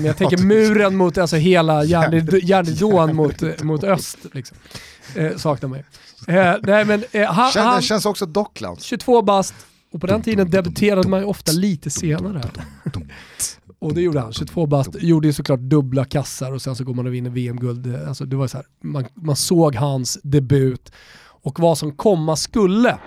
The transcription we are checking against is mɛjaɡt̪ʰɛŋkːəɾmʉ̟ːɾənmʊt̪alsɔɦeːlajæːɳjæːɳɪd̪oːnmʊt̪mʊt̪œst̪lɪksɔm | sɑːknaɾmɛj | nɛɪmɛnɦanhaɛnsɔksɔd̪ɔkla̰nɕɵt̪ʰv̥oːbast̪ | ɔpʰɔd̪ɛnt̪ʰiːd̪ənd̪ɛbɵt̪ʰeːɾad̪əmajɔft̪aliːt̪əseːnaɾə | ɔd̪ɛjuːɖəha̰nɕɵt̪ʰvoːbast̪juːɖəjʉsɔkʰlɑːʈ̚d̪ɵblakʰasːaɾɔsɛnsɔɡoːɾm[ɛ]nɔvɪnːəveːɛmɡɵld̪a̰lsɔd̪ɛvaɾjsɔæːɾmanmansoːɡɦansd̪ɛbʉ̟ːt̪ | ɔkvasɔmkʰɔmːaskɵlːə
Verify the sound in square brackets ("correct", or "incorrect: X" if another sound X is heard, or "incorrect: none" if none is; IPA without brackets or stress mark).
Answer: incorrect: a